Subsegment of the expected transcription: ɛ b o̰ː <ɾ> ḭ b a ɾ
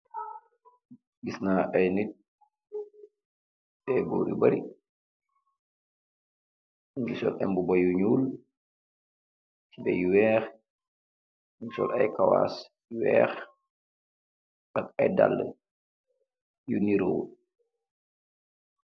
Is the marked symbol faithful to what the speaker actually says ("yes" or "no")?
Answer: yes